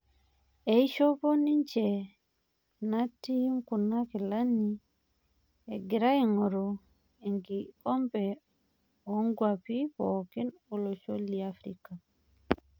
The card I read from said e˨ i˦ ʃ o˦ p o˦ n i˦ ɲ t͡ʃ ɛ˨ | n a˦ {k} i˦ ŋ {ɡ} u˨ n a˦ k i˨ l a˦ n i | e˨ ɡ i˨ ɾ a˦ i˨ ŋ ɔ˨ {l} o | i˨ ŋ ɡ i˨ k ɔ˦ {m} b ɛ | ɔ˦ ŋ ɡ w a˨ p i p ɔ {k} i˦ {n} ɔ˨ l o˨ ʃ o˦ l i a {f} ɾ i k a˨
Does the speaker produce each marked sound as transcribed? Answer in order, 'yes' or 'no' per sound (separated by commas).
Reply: no, no, no, yes, yes, yes, yes